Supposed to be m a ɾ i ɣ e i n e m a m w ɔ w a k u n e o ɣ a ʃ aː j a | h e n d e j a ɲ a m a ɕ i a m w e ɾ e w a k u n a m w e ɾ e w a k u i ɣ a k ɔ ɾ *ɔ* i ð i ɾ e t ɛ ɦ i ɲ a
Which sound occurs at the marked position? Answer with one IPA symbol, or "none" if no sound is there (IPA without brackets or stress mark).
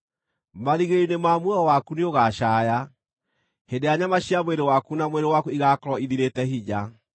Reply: ɔ